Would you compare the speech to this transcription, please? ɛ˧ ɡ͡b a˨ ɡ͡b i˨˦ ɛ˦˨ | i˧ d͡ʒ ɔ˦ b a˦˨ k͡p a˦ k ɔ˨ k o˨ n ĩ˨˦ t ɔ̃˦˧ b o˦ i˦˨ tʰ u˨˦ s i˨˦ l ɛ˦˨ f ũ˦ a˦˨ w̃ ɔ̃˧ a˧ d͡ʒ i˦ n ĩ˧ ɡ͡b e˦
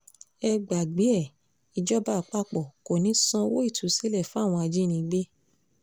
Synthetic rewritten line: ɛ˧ ɡ͡b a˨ ɡ͡b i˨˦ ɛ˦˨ | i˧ d͡ʒ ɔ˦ b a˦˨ k͡p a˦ k͡p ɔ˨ k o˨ n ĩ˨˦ s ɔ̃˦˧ w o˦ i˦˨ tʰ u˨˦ s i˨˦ l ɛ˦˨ f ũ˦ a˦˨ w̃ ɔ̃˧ a˧ d͡ʒ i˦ n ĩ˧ ɡ͡b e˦

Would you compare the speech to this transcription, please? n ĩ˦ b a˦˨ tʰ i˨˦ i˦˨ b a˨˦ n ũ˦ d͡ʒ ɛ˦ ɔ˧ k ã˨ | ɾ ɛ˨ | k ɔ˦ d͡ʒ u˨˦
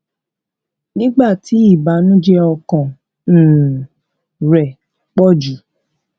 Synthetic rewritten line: n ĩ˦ ɡ͡b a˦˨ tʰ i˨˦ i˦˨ b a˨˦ n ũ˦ d͡ʒ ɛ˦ ɔ˧ k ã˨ | ɾ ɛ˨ | k͡p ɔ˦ d͡ʒ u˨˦

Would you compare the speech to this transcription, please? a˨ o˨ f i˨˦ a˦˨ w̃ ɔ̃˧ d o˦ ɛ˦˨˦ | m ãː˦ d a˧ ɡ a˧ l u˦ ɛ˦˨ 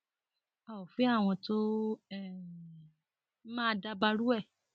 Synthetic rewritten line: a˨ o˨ f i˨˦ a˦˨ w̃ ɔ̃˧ t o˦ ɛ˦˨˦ | m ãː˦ d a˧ b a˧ ɾ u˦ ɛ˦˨

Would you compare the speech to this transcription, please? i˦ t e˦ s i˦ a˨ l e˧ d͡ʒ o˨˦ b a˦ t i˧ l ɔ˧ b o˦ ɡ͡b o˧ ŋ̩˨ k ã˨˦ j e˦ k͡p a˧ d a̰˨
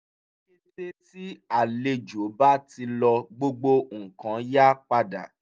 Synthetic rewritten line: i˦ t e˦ t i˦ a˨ l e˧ d͡ʒ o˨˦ b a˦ t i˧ l ɔ˧ ɡ͡b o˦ ɡ͡b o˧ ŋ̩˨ k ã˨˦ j a˦ k͡p a˧ d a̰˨

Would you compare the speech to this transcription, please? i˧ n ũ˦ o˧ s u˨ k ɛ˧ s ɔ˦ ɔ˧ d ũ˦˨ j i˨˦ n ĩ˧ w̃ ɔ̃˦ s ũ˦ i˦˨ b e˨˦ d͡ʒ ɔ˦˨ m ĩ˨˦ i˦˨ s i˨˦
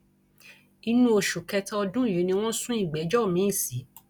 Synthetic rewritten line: i˧ n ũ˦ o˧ ʃ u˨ k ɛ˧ t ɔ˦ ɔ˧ d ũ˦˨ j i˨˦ n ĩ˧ w̃ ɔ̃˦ s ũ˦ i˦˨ ɡ͡b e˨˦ d͡ʒ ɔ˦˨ m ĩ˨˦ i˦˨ s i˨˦

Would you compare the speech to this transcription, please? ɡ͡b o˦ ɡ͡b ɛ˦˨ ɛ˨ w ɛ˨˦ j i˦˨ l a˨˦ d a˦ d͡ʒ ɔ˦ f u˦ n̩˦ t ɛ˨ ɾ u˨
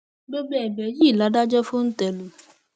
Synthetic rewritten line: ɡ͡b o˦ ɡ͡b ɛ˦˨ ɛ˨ b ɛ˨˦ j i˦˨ l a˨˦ d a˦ d͡ʒ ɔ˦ f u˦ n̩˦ t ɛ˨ l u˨

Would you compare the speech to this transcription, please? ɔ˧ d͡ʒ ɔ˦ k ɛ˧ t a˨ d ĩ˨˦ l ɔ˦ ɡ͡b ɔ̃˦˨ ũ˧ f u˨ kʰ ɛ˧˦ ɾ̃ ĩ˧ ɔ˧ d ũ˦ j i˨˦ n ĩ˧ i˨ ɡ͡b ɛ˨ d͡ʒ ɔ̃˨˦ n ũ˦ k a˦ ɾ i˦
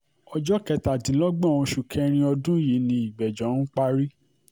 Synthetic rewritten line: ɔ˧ d͡ʒ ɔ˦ k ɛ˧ t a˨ d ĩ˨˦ l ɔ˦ ɡ͡b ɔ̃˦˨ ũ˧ ʃ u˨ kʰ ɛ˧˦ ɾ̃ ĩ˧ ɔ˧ d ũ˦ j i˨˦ n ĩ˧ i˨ ɡ͡b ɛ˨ d͡ʒ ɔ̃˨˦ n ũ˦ k͡p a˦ ɾ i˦

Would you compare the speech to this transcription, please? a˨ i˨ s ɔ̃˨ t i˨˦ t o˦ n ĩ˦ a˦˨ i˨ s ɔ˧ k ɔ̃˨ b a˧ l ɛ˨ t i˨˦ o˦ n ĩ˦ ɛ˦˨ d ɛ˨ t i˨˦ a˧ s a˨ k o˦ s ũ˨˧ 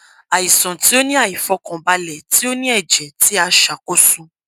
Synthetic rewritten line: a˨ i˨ s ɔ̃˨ t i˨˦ o˦ n ĩ˦ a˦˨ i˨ f ɔ˧ k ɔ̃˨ b a˧ l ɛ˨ t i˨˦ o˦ n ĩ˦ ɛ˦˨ d͡ʒ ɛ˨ t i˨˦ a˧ ʃ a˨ k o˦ s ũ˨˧

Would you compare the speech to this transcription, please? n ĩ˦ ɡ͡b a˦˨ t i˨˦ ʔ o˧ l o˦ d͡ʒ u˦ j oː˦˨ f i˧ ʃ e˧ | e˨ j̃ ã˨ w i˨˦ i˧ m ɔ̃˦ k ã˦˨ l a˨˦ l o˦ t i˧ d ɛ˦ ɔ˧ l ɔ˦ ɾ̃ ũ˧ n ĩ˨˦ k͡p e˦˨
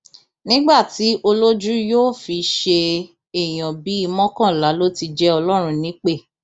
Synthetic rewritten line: n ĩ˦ ɡ͡b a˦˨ t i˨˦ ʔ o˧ l o˦ d͡ʒ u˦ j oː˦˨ f i˧ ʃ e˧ | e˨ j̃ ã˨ b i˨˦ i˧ m ɔ̃˦ k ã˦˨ l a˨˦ l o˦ t i˧ d͡ʒ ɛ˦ ɔ˧ l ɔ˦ ɾ̃ ũ˧ n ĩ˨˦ k͡p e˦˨

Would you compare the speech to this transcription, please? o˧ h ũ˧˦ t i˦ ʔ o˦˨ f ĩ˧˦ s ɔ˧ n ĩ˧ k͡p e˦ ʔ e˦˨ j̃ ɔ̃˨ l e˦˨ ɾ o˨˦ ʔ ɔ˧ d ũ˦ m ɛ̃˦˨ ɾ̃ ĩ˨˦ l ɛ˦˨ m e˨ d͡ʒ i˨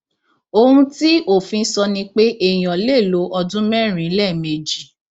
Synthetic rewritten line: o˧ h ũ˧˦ t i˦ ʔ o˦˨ f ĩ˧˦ s ɔ˧ n ĩ˧ k͡p e˦ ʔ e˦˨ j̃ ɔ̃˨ l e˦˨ l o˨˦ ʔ ɔ˧ d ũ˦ m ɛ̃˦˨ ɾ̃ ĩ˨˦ l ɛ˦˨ m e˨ d͡ʒ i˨

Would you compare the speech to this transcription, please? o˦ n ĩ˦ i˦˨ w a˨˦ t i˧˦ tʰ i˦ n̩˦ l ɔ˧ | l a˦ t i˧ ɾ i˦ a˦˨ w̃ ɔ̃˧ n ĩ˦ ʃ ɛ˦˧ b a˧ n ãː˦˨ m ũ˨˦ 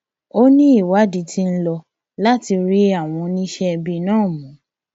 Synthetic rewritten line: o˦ n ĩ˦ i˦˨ w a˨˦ d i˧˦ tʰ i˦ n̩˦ l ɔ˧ | l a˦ t i˧ ɾ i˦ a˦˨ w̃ ɔ̃˧ n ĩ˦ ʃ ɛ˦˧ b i˧ n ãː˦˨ m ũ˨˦

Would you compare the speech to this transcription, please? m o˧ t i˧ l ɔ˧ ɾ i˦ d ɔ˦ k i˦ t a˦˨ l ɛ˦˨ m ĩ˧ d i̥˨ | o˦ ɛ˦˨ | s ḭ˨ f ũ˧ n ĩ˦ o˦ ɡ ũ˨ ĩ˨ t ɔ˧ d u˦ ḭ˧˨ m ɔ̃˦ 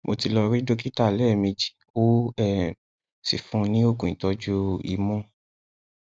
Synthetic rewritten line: m o˧ t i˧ l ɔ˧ ɾ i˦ d o˦ k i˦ t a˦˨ l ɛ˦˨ m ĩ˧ d͡ʒ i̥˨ | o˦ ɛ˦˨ | s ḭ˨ f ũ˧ n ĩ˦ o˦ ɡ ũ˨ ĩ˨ t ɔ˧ d͡ʒ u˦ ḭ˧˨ m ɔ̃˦

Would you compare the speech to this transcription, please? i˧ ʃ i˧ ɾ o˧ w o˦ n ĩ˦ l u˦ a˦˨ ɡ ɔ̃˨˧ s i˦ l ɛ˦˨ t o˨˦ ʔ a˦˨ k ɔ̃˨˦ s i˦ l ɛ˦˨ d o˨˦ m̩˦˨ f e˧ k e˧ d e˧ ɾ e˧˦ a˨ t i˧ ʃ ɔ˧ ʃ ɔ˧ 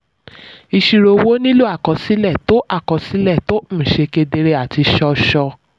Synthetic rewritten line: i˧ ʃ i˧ ɾ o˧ w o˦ n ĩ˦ l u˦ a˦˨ k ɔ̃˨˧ s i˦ l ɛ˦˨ t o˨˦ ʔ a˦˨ k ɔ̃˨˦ s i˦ l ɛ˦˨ t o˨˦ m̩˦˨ ʃ e˧ k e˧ d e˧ ɾ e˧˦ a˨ t i˧ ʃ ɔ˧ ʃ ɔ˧

